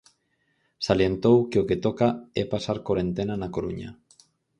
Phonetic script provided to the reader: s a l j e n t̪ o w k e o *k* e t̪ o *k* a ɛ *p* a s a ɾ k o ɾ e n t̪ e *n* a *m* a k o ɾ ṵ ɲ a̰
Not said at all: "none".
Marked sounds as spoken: k, k, p, n, n

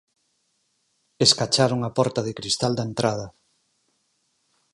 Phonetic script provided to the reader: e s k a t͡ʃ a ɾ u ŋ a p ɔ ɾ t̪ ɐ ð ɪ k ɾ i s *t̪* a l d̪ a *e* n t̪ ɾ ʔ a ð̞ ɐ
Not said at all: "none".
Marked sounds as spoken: t̪, e

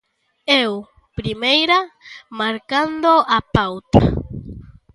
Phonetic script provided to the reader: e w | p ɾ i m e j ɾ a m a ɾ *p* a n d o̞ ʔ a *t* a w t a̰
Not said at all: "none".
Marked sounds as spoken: k, p

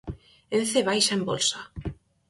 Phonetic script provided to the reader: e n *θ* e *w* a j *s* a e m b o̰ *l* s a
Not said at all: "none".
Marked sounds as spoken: θ, β, ʃ, l

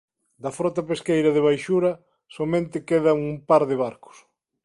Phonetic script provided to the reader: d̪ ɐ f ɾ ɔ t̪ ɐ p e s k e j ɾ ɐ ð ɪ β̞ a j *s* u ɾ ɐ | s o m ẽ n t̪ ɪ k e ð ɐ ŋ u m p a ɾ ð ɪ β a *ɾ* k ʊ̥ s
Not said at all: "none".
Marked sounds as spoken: ʃ, ɾ

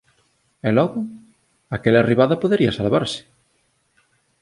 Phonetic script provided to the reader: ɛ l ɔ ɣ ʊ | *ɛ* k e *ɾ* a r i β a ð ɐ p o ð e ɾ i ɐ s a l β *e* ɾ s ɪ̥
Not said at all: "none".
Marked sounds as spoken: a, l, a

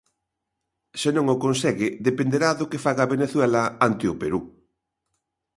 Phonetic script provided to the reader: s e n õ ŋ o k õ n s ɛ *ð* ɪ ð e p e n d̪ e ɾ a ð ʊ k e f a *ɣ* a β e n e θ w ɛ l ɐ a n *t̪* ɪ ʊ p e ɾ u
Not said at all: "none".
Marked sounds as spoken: ɣ, ɣ, t̪

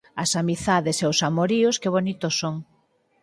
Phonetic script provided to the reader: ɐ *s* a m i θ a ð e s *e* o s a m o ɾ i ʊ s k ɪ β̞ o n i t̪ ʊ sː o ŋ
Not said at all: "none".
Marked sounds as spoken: s, e

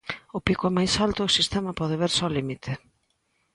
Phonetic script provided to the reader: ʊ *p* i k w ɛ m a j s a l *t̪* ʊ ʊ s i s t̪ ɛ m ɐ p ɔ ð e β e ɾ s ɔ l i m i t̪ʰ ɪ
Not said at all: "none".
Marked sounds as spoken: p, t̪

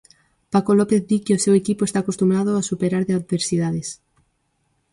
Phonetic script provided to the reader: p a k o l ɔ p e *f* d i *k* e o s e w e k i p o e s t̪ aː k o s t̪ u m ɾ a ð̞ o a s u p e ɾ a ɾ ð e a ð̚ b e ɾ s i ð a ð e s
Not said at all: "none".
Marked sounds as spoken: θ, k

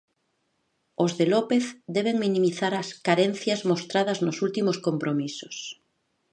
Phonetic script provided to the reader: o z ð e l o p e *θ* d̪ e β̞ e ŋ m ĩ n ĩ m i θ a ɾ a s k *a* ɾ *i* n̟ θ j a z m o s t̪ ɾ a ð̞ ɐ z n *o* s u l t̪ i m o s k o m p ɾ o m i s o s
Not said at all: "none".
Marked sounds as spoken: θ, a, e, o

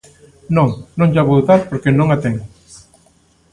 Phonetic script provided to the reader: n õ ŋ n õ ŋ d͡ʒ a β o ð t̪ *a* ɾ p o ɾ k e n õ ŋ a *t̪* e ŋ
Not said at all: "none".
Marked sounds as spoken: a, t̪

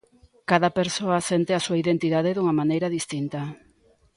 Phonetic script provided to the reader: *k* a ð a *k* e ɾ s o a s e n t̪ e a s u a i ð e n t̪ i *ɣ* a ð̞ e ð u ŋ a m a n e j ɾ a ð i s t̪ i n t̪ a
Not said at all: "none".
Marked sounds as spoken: k, p, ð

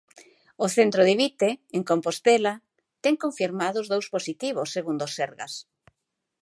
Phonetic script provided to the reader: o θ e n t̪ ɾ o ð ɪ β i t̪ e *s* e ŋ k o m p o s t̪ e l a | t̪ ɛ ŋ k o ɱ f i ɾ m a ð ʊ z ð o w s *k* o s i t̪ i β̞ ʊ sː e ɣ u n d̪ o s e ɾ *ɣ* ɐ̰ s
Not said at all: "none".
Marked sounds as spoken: none, p, ɣ

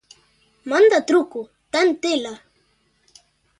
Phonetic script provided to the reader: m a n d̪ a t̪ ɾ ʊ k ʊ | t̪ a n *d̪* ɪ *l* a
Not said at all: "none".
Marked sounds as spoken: t̪, l

